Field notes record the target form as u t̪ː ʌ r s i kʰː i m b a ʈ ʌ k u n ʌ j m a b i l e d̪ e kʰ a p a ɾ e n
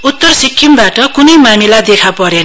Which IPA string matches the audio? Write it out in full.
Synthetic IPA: u t̪ː ʌ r s i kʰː i m b a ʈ ʌ k u n ʌ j m a m i l a d̪ e kʰ a p ʌ ɾ e n